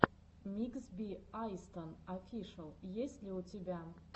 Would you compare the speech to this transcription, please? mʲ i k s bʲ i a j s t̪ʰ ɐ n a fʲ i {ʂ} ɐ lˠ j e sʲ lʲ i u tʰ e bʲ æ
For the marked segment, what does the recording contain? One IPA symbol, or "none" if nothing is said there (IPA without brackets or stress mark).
ʂ